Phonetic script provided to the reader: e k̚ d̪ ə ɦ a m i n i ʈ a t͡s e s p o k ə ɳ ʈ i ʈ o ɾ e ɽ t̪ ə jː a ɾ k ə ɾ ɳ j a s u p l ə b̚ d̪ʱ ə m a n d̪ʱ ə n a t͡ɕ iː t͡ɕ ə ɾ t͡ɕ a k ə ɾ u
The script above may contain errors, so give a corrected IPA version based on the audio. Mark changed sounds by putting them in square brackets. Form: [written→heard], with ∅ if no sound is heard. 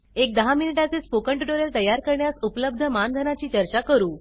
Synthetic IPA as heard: e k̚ d̪ ə ɦ a m i n i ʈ a t͡s e s p o k ə ɳ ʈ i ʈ o ɾ e [ɽ→l] t̪ ə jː a ɾ k ə ɾ ɳ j a s u p l ə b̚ d̪ʱ ə m a n d̪ʱ ə n a t͡ɕ iː t͡ɕ ə ɾ t͡ɕ a k ə ɾ [u→uː]